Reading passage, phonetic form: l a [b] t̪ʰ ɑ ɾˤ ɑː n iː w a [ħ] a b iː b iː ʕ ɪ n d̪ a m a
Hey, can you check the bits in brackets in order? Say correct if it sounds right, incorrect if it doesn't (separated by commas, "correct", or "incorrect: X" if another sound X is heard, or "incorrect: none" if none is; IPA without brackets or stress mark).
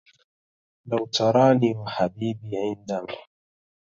incorrect: w, correct